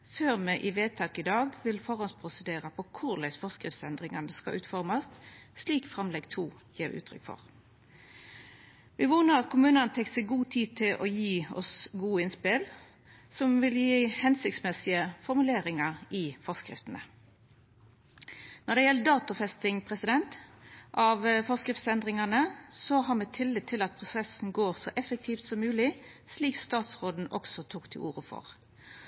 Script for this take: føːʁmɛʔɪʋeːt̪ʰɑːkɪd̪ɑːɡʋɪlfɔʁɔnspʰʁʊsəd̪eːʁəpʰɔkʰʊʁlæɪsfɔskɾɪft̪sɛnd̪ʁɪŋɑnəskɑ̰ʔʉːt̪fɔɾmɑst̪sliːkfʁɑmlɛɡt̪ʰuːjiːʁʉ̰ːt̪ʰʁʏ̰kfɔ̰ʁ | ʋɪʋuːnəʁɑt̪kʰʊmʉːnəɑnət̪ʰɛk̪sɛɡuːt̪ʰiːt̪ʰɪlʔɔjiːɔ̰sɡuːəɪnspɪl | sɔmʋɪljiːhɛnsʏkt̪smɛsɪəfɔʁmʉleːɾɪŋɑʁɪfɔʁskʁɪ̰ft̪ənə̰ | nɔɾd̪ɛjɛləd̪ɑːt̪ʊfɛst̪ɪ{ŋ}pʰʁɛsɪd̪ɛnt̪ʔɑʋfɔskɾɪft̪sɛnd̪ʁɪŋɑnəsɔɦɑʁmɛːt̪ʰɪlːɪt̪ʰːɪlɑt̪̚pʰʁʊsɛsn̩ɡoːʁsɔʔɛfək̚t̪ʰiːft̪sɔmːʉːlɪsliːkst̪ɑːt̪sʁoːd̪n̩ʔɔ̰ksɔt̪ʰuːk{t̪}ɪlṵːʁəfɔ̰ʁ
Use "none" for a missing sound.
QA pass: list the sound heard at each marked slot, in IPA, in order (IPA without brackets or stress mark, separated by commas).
ŋ, t̪ʰ